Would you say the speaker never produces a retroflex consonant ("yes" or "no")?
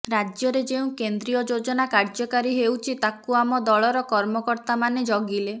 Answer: no